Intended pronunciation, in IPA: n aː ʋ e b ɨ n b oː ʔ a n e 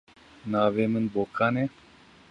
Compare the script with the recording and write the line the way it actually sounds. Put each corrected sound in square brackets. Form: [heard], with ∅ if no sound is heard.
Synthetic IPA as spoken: n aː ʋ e [m] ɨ n b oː [k] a n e